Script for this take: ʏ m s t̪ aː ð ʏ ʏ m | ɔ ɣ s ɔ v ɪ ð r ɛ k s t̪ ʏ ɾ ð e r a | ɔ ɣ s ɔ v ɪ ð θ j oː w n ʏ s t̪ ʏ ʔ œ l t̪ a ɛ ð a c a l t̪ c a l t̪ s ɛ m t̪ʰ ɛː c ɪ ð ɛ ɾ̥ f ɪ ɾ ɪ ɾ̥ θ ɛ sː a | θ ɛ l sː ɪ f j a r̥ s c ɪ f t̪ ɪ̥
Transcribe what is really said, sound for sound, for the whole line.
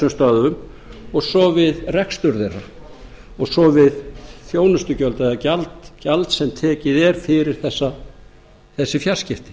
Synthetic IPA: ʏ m s t̪ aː ð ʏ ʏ m | ɔ ɣ s ɔ v ɪ ð r ɛ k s t̪ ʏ ɾ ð e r a | ɔ ɣ s ɔ v ɪ ð θ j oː w n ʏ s t̪ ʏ c œ l t̪ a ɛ ð a c a l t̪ c a l t̪ s ɛ m t̪ʰ ɛː c ɪ ð ɛ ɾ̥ f ɪ ɾ ɪ ɾ̥ θ ɛ sː a | θ ɛ sː ɪ f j a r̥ s c ɪ f t̪ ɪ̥